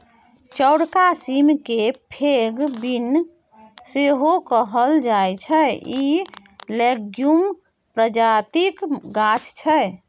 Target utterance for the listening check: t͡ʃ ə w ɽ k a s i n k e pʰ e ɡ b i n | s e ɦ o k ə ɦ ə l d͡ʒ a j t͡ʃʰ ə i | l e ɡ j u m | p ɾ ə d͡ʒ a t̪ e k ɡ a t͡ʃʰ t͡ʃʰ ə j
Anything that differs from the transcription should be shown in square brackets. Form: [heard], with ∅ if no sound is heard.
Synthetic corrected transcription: t͡ʃ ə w ɽ k a s i [m] k e pʰ e ɡ b i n | s e ɦ o k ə ɦ ə l d͡ʒ a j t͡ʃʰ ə i | l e ɡ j u m | p ɾ ə d͡ʒ a t̪ [i] k ɡ a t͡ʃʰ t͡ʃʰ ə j